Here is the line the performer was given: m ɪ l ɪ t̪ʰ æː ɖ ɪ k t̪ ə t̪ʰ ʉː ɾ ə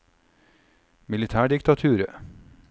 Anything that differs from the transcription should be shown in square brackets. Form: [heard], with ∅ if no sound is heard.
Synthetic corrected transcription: m ɪ l ɪ t̪ʰ æː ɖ ɪ k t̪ [ɑ] t̪ʰ ʉː ɾ ə